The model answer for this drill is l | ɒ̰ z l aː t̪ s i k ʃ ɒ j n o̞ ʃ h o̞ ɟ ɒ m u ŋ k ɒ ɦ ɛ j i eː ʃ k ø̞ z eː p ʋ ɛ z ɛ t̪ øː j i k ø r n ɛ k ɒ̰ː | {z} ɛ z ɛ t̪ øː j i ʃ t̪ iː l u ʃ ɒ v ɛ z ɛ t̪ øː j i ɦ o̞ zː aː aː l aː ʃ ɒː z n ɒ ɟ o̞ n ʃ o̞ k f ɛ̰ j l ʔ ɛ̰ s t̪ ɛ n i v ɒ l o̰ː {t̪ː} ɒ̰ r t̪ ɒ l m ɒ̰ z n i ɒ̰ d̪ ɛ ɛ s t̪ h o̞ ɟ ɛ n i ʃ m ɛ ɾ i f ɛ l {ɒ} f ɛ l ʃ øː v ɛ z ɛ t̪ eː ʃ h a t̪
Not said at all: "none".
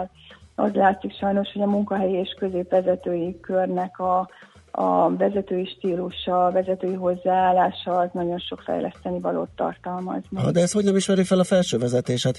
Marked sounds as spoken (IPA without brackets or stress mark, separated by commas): v, t̪ː, ɒ